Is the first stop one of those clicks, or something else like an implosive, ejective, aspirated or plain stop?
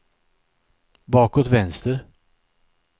plain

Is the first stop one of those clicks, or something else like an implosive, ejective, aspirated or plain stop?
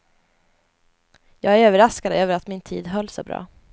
plain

